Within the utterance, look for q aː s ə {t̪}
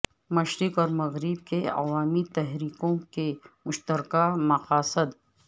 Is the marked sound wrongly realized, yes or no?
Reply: yes